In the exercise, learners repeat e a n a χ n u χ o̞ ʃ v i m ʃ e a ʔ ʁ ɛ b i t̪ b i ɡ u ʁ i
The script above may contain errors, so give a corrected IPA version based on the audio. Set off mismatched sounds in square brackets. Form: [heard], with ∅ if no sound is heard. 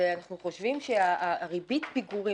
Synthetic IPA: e a n a χ n u χ o̞ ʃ v i m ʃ e a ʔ ʁ [i] b i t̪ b i ɡ u ʁ i